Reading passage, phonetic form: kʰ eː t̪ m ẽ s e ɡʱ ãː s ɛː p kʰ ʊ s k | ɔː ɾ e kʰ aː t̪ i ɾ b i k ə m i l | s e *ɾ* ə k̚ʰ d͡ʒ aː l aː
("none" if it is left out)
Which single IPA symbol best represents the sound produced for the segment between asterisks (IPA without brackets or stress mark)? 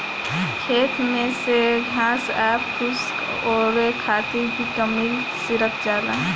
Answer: ɾ